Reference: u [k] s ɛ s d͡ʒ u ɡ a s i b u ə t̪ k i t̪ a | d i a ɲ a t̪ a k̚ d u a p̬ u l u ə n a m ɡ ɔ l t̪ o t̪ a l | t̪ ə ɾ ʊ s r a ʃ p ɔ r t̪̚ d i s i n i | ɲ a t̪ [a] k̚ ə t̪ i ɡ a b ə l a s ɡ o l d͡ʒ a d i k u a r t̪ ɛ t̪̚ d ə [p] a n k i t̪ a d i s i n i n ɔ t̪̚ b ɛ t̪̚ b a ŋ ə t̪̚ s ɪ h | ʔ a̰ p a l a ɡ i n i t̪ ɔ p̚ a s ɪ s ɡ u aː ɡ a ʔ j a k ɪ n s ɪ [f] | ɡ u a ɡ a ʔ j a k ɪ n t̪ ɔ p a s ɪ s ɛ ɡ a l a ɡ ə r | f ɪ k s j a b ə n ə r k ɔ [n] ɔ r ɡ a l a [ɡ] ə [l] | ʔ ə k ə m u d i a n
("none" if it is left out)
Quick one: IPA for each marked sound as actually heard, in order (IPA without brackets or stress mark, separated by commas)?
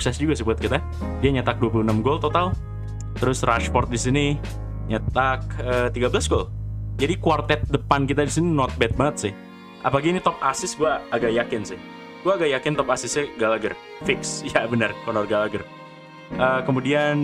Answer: k, a, p, h, n, ɡ, r